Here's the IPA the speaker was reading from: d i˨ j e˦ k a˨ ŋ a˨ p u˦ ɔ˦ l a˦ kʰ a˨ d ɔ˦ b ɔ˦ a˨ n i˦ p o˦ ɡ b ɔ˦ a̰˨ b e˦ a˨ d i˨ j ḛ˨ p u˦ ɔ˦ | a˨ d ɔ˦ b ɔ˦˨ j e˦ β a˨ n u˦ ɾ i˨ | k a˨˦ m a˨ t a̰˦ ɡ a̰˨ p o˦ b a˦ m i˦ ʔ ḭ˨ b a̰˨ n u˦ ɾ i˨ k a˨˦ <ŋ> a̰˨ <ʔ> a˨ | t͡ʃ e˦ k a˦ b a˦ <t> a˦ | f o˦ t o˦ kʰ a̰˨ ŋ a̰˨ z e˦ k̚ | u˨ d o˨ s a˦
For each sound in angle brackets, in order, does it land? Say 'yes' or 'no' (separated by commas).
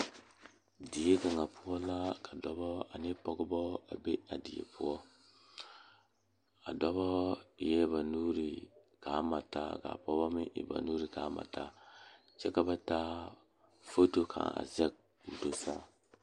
no, no, yes